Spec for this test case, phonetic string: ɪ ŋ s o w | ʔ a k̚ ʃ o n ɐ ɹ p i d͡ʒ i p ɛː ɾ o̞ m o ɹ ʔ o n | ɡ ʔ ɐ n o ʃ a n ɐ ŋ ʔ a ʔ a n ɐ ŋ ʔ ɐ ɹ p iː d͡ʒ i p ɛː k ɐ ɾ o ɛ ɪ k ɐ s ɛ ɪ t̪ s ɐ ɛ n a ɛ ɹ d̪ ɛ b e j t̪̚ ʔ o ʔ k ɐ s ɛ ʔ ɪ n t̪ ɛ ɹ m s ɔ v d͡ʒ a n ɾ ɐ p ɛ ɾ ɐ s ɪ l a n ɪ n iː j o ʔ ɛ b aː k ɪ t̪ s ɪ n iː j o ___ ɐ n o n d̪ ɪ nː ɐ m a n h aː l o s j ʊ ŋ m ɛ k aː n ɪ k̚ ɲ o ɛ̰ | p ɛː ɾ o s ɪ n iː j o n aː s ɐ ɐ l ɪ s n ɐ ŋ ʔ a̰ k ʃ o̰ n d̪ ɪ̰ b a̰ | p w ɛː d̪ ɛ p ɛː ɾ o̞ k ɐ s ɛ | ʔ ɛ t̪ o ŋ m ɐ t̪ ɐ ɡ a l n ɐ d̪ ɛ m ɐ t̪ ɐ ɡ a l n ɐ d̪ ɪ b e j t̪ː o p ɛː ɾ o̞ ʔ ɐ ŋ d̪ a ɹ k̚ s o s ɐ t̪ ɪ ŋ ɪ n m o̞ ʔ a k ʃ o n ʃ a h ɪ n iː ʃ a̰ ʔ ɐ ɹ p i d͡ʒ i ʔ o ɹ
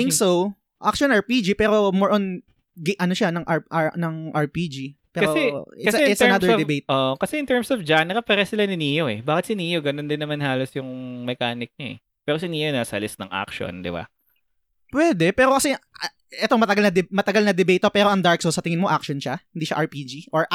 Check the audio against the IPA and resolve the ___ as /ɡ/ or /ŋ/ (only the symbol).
ɡ